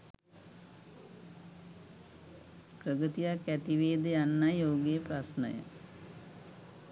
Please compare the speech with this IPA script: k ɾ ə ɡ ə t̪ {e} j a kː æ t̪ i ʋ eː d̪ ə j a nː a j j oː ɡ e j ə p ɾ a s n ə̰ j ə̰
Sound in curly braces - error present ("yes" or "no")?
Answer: yes